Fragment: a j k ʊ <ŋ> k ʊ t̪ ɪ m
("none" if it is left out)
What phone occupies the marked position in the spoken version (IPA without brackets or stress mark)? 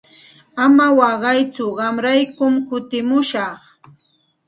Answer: m